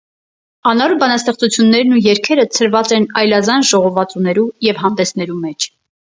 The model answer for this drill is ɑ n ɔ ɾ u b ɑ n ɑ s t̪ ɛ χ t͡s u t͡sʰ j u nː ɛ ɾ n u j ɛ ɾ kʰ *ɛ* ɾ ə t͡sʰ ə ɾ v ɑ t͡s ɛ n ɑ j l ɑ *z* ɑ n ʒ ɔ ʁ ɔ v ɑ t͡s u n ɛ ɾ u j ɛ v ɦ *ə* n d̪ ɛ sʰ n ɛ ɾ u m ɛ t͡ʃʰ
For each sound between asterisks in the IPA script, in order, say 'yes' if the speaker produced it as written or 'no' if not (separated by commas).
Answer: yes, yes, no